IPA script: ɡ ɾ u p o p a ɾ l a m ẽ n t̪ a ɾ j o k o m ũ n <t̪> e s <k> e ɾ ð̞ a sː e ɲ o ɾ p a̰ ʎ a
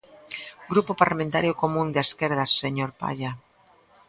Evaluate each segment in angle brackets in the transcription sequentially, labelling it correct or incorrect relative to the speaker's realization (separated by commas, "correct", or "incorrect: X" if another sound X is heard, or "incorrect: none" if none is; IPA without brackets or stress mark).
incorrect: d̪, correct